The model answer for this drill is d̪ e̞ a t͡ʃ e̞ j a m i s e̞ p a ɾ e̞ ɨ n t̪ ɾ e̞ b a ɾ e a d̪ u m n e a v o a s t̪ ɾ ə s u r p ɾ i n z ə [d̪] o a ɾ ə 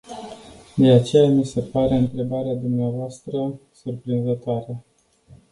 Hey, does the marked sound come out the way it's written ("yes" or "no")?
no